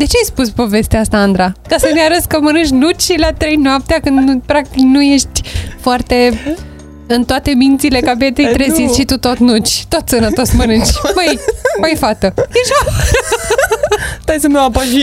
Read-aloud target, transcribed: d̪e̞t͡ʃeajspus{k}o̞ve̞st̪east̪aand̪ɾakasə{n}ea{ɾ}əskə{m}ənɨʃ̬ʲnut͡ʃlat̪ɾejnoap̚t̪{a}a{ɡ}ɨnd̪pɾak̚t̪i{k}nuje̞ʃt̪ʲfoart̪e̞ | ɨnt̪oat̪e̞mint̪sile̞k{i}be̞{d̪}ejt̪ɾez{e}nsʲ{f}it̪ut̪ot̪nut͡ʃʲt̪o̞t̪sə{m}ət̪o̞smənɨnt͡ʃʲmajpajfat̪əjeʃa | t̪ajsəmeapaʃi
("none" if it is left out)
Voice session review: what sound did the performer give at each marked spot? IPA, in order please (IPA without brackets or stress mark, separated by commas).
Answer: p, n, ɾ, m, e, k, k, a, t̪, i, ʃ, n